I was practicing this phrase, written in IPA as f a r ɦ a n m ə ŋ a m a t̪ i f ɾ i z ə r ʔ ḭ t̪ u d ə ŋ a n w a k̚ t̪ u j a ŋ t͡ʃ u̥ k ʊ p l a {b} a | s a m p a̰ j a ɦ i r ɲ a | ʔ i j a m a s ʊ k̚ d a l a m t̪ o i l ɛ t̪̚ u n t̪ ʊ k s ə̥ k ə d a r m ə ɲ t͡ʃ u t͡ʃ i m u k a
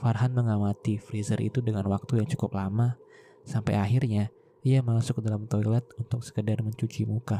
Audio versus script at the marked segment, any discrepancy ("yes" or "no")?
yes